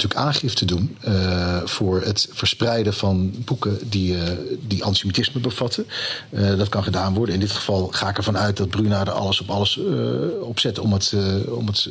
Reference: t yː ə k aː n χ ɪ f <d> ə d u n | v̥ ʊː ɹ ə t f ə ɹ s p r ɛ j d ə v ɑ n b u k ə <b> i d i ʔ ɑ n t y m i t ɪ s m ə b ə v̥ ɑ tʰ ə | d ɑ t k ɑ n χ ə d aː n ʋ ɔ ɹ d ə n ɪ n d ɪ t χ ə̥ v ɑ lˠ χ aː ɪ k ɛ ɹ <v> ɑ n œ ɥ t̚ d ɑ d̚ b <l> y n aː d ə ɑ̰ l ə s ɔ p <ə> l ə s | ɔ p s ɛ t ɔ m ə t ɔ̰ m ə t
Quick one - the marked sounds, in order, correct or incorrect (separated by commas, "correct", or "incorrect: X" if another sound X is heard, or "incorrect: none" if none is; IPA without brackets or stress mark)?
incorrect: t, incorrect: d, correct, incorrect: r, incorrect: ɑ